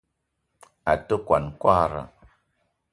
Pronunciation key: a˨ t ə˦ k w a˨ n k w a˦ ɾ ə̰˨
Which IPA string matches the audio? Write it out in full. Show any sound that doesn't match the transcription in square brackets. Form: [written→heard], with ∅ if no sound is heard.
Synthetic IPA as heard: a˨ t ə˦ k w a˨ n k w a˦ ɾ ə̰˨